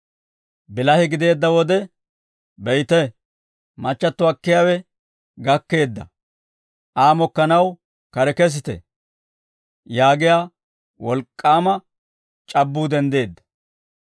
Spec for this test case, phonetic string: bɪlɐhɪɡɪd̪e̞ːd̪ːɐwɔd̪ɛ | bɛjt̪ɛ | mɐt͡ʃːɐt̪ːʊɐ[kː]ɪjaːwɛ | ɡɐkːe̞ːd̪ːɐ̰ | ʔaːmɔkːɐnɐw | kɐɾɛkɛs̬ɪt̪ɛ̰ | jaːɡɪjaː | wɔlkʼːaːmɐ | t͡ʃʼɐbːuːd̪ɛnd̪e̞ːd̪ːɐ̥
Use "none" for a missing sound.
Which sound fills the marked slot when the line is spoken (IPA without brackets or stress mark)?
kː